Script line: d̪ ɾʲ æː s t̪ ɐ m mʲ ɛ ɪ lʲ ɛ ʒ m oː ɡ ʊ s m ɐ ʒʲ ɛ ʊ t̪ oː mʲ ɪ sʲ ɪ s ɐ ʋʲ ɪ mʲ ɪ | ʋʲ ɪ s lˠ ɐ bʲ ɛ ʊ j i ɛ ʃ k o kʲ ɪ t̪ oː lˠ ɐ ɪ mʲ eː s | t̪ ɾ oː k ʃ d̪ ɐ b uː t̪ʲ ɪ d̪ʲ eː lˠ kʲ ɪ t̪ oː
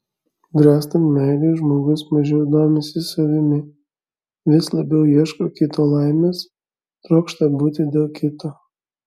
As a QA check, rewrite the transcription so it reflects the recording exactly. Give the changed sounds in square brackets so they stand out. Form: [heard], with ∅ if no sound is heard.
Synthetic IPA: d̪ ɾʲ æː s t̪ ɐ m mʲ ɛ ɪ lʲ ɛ ʒ m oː ɡ ʊ s m ɐ ʒʲ ɛ ʊ [d̪] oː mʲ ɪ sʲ ɪ s ɐ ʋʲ ɪ mʲ ɪ | ʋʲ ɪ s lˠ ɐ bʲ ɛ ʊ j i ɛ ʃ k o kʲ ɪ t̪ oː lˠ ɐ ɪ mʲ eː s | t̪ ɾ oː k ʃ [t̪] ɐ b uː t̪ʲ ɪ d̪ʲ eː lˠ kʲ ɪ t̪ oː

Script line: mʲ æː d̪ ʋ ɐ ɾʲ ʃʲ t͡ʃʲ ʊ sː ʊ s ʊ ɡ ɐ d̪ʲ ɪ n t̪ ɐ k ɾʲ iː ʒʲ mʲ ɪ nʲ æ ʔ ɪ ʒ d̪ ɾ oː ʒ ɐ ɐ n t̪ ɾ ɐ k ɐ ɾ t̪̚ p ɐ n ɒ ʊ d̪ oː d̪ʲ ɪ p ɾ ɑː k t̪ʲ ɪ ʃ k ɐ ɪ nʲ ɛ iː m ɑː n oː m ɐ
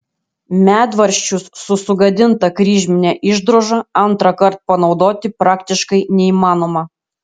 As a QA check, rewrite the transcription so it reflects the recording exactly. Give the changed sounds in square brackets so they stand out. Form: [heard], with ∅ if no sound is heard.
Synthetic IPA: mʲ æː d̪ ʋ ɐ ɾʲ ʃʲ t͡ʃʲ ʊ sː ʊ s ʊ ɡ ɐ d̪ʲ ɪ n t̪ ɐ k ɾʲ iː ʒʲ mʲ ɪ nʲ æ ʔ ɪ ʒ d̪ ɾ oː ʒ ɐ ɐ n t̪ ɾ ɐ k ɐ ɾ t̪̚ p ɐ n ɒ ʊ d̪ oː [t̪ʲ] ɪ p ɾ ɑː k t̪ʲ ɪ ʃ k ɐ ɪ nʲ ɛ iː m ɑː n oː m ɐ

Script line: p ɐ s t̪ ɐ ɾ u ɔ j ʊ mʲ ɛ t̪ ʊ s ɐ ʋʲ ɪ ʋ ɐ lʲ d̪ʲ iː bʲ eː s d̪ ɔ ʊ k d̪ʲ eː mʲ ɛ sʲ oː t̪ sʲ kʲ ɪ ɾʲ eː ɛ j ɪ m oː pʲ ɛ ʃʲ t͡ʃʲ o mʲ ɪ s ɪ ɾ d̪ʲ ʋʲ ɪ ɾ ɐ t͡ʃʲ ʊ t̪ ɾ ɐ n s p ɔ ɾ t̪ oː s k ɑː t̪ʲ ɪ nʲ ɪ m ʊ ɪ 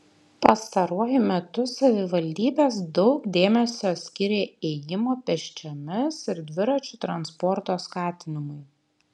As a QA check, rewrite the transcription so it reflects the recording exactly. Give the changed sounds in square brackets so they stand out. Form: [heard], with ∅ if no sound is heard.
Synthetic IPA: p ɐ s t̪ ɐ ɾ u ɔ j ʊ mʲ ɛ t̪ ʊ s ɐ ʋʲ ɪ ʋ ɐ lʲ d̪ʲ iː bʲ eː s d̪ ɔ ʊ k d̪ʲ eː mʲ ɛ sʲ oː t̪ sʲ kʲ ɪ ɾʲ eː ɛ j ɪ m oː pʲ ɛ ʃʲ t͡ʃʲ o mʲ ɪ s ɪ ɾ d̪ʲ ʋʲ ɪ ɾ ɐ t͡ʃʲ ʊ t̪ ɾ ɐ n s p ɔ ɾ t̪ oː s k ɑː t̪ʲ ɪ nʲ ɪ m ʊ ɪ

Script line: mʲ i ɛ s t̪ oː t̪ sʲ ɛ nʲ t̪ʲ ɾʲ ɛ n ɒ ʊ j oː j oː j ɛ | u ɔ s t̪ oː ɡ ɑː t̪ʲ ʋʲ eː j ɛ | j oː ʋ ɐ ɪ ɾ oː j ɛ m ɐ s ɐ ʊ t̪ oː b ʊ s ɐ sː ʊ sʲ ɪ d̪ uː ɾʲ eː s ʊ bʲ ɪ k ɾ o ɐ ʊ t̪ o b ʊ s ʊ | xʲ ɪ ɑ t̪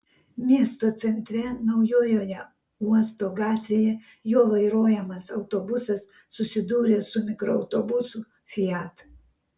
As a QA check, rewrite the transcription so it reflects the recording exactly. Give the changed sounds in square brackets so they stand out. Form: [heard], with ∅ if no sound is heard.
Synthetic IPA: mʲ i ɛ s t̪ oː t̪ sʲ ɛ nʲ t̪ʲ ɾʲ ɛ n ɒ ʊ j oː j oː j ɛ | u ɔ s t̪ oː ɡ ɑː t̪ʲ ʋʲ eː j ɛ | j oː ʋ ɐ ɪ ɾ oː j ɛ m ɐ s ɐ ʊ t̪ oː b ʊ s ɐ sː ʊ sʲ ɪ d̪ uː ɾʲ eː s ʊ [mʲ] ɪ k ɾ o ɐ ʊ t̪ o b ʊ s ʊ | [fʲ] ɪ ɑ t̪

